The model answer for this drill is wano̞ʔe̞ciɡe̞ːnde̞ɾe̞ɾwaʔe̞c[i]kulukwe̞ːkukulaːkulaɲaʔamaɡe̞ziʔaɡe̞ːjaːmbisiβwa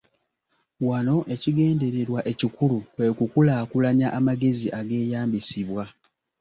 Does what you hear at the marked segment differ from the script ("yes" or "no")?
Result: no